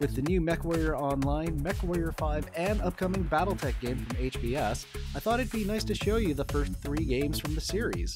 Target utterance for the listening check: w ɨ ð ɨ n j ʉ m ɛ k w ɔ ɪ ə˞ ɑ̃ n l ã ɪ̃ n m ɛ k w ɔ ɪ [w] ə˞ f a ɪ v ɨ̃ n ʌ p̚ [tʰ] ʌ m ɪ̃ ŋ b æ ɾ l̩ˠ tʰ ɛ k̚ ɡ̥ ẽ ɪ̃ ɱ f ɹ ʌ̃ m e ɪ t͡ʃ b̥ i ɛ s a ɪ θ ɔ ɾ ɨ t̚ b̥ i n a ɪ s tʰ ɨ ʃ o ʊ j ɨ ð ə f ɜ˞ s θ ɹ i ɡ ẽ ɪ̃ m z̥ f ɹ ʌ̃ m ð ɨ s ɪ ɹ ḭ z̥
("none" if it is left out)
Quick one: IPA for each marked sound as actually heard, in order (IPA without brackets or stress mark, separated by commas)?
none, kʰ